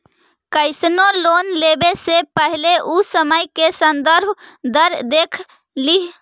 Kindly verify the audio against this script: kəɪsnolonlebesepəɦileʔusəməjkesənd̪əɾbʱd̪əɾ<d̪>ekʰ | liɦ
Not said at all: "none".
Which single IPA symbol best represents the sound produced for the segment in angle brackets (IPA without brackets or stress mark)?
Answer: d̪